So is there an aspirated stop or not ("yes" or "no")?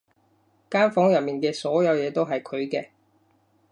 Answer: yes